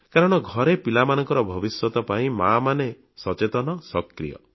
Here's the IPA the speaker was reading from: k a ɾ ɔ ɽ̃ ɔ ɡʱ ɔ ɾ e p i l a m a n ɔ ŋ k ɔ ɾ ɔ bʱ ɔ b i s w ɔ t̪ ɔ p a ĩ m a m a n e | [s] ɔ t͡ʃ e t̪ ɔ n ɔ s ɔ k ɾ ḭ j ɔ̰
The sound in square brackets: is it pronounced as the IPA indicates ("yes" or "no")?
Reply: yes